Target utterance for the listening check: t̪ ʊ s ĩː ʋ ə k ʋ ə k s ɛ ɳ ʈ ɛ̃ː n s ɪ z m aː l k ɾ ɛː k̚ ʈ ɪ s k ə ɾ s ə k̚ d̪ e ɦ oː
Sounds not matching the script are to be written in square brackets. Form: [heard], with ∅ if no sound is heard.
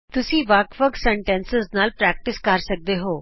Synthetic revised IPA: t̪ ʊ s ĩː ʋ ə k ʋ ə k s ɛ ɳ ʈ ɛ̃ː n s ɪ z [n] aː l [p] ɾ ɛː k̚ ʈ ɪ s k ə ɾ s ə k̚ d̪ e ɦ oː